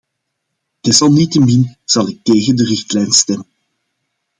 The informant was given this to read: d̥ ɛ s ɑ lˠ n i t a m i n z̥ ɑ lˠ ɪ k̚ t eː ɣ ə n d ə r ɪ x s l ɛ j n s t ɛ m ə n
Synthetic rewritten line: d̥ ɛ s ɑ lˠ n i t ə m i n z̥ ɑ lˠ ɪ k̚ t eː ɣ ə n d ə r ɪ x t l ɛ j n s t ɛ m ə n